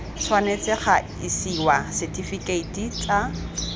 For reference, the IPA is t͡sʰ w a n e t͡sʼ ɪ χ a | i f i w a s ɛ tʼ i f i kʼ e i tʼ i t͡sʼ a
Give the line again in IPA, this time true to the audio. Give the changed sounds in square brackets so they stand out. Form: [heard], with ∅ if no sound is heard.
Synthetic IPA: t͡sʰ w a n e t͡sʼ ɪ χ a | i [s] i w a s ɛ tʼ i f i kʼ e i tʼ i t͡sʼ a